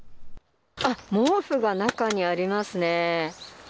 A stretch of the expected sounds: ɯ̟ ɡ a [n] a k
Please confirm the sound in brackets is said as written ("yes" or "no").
yes